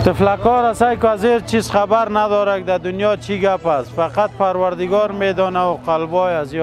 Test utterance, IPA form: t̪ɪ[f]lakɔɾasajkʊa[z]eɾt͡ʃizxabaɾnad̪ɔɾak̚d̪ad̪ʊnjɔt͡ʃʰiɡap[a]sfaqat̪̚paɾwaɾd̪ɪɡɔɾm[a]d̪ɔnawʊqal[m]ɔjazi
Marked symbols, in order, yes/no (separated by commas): yes, yes, yes, no, no